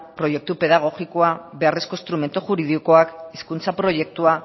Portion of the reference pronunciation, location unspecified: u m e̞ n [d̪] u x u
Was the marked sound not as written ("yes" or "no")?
yes